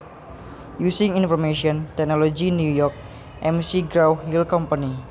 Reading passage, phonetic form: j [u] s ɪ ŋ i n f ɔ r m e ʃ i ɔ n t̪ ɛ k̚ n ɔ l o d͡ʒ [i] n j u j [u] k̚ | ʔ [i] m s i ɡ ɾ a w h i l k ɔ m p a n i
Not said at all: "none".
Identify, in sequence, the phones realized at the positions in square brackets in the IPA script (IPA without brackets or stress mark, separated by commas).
u, i, ɔ, ɛ